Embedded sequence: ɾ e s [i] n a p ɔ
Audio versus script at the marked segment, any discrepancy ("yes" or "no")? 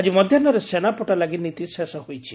yes